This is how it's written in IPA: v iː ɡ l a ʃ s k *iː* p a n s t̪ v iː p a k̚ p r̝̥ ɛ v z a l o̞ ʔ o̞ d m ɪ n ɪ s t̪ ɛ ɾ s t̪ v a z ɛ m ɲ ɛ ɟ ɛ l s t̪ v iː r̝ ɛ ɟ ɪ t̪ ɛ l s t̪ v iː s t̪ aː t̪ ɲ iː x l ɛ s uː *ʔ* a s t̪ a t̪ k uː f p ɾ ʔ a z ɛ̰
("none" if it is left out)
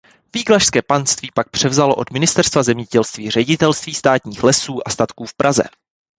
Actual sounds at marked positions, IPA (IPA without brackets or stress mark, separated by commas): ɛː, ʔ